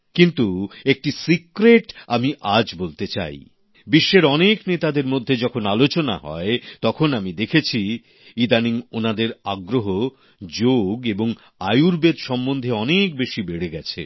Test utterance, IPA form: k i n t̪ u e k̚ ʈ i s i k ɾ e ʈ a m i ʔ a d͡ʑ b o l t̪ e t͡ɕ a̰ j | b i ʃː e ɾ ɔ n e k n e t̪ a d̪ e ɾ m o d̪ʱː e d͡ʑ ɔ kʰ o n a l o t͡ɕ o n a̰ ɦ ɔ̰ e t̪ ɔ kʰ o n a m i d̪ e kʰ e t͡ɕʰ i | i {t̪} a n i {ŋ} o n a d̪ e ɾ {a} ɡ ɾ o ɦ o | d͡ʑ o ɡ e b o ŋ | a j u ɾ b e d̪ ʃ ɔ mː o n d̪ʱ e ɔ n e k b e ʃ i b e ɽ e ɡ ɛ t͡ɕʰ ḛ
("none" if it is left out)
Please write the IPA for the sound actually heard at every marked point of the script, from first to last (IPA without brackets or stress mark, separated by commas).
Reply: d̪, ŋ, a